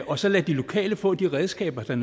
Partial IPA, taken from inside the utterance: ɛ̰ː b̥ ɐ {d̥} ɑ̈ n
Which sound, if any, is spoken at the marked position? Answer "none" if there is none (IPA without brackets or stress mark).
d̥